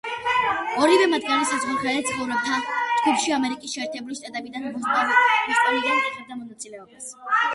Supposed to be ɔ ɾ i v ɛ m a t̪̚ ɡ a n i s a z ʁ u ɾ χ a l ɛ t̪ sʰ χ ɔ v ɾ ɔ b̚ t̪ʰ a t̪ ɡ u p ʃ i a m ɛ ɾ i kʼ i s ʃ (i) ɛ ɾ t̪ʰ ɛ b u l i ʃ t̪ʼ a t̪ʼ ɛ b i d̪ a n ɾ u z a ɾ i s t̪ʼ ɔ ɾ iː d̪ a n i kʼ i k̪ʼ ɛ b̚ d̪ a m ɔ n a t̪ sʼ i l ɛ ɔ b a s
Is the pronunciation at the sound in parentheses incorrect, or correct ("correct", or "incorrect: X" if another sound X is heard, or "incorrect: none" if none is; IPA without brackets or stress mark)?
incorrect: ɛ